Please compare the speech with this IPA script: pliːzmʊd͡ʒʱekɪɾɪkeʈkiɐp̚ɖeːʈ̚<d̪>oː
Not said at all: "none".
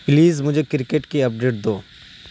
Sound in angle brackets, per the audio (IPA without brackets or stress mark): d̪